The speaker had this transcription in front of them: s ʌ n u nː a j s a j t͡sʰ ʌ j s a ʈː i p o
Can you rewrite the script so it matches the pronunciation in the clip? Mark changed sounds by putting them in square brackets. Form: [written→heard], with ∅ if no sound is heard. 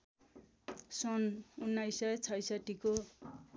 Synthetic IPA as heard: s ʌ n u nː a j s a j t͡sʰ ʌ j s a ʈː i [p→k] o